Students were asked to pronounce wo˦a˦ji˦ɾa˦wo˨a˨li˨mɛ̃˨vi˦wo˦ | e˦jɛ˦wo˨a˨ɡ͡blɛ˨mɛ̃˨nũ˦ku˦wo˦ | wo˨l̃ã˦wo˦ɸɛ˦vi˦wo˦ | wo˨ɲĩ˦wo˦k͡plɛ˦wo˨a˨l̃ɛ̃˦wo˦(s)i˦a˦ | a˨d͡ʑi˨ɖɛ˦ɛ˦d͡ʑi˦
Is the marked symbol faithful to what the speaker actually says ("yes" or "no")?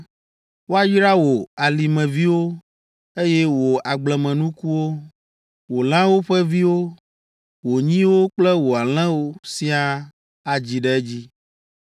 yes